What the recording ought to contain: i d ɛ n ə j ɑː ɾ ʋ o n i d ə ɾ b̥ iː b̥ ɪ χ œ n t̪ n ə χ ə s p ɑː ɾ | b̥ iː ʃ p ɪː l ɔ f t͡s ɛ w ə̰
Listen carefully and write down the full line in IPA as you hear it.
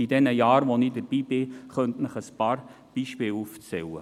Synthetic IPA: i d ɛ n ə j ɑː ɾ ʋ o n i d ə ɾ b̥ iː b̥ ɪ χ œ n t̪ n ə χ ə s p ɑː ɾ | b̥ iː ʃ p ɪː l u f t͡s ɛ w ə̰